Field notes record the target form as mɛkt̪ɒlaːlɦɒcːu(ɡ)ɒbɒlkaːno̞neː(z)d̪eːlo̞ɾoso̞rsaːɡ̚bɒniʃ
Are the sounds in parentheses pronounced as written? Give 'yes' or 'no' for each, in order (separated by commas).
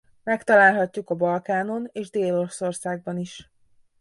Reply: no, no